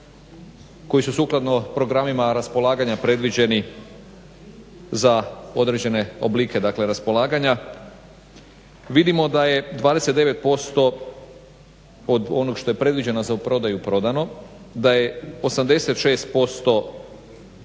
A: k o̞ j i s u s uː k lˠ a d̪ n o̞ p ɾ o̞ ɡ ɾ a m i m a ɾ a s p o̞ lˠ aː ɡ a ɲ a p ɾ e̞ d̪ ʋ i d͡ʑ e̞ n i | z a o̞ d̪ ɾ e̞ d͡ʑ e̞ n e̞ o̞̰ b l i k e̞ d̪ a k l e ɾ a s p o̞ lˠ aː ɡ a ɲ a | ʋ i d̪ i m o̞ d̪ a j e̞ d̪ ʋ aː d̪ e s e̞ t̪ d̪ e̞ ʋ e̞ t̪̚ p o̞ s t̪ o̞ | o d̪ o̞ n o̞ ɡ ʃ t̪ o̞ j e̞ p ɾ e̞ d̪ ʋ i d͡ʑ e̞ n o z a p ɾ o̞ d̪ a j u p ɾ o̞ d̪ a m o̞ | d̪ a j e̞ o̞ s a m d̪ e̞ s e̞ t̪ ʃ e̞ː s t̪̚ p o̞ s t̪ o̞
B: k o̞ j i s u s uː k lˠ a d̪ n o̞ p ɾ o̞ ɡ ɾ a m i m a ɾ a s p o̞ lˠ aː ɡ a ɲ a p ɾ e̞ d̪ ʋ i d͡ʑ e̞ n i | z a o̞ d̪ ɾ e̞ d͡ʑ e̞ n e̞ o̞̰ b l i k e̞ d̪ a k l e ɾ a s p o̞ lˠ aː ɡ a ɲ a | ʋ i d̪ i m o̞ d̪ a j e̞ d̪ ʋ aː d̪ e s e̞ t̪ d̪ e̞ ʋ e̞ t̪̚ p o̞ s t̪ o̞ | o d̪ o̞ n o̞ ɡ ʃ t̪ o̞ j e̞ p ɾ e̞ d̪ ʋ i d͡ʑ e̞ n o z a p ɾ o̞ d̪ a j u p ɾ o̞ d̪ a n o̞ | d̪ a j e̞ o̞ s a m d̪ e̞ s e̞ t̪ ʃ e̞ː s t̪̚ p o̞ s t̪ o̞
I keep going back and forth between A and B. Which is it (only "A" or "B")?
B